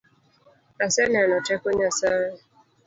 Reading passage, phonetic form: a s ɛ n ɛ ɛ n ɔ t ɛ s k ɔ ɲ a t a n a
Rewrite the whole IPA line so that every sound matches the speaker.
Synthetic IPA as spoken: a s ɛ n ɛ a n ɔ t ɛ k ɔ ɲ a s a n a